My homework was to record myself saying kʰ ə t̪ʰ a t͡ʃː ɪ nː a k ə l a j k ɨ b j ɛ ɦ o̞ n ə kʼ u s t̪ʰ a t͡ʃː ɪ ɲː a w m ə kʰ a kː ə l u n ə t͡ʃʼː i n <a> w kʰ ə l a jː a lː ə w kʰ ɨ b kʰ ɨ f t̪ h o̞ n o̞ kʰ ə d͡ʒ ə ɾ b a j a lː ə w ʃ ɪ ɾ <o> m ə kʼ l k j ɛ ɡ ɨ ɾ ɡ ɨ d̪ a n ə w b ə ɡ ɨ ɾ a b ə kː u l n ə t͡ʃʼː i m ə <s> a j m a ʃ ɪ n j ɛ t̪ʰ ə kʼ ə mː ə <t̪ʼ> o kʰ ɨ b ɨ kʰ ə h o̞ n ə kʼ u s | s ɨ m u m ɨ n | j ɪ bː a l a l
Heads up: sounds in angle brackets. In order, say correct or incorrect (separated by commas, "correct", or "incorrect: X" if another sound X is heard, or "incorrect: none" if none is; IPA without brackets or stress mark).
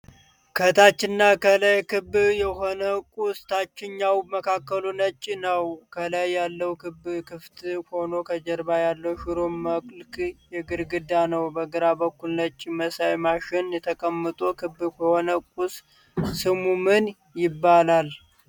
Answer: incorrect: ə, correct, correct, correct